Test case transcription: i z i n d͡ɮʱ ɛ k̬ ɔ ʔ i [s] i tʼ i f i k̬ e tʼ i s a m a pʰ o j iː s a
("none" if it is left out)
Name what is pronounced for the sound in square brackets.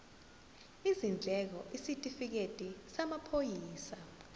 s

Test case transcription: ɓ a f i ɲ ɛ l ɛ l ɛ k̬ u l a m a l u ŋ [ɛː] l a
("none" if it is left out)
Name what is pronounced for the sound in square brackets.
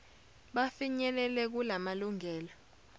ɛː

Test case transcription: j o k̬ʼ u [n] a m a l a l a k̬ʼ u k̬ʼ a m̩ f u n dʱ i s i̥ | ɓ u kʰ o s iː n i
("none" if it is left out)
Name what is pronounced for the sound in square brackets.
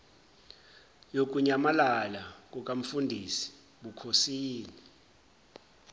ɲ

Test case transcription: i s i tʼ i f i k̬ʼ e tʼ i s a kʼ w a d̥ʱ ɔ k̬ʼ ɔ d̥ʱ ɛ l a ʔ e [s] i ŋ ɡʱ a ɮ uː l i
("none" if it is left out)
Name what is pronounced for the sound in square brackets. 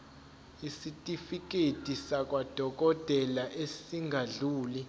s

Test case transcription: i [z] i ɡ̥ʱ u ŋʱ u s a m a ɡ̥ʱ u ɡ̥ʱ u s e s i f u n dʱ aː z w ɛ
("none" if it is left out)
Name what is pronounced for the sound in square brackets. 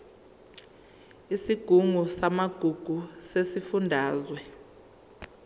s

